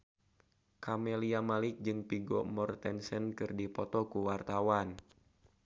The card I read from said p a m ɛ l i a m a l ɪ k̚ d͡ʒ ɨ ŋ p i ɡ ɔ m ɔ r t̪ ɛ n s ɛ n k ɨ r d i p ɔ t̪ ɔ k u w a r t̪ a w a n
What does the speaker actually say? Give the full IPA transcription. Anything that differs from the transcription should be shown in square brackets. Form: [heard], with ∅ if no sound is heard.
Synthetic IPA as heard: [k] a m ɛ l i a m a l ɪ k̚ d͡ʒ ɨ ŋ p i ɡ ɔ m ɔ r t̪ ɛ n s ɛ n k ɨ r d i p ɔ t̪ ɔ k u w a r t̪ a w a n